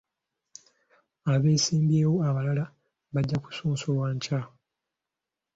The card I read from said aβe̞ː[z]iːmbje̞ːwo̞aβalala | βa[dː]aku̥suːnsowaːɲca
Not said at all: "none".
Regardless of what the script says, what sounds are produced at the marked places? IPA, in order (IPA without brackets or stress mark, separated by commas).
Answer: s, ɟː